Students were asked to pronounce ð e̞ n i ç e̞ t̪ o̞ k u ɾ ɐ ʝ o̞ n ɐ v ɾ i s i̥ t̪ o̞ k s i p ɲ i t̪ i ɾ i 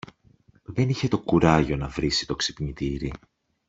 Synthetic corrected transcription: ð e̞ n i ç e̞ t̪ o̞ k u ɾ ɐ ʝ o̞ n ɐ v ɾ i s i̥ t̪ o̞ k s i p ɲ i t̪ i ɾ i